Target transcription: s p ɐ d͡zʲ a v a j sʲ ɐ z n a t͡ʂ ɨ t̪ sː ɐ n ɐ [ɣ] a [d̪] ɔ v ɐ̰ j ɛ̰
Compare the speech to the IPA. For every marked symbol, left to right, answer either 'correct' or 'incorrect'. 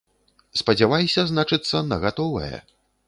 correct, incorrect

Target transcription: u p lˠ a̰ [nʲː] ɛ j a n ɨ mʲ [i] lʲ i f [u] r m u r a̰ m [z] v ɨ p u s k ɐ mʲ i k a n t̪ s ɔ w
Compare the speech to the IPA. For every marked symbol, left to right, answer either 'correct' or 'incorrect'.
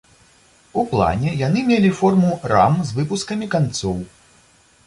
incorrect, incorrect, incorrect, correct

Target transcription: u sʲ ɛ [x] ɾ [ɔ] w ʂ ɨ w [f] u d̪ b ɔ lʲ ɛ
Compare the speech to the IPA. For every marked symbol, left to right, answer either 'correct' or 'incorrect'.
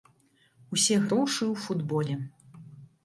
incorrect, correct, correct

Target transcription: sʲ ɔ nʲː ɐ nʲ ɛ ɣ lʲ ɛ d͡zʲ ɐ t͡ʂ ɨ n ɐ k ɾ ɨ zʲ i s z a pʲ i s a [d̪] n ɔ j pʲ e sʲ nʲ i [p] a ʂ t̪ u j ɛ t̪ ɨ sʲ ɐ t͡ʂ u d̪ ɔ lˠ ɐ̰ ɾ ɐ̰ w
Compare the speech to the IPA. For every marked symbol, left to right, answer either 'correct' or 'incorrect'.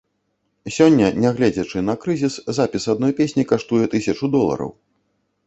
correct, incorrect

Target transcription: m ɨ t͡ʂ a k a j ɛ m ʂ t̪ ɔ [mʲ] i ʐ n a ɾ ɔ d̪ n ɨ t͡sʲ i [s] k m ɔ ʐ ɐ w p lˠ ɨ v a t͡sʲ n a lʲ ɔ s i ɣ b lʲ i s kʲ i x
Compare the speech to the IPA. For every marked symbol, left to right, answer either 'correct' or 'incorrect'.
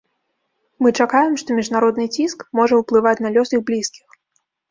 correct, correct

